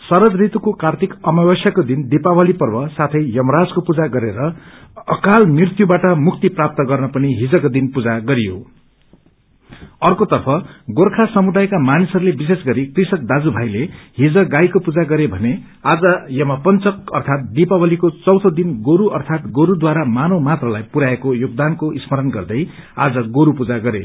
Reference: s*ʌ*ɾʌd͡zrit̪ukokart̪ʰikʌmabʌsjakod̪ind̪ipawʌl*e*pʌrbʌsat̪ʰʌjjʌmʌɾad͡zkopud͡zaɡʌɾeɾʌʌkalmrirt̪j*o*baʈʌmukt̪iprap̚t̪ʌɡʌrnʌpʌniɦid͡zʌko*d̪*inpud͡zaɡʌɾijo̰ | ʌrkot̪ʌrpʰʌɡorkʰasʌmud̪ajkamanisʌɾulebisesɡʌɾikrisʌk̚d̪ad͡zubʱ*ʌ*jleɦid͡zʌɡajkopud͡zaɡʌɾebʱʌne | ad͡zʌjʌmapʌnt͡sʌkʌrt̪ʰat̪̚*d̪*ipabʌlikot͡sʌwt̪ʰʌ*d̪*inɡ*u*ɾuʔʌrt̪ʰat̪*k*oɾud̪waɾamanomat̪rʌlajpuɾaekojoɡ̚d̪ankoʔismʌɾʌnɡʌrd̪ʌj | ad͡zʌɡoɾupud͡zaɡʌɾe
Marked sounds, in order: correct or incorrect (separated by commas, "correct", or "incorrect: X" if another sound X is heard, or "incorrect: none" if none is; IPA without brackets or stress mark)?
correct, incorrect: i, incorrect: u, correct, incorrect: a, correct, correct, incorrect: o, incorrect: ɡ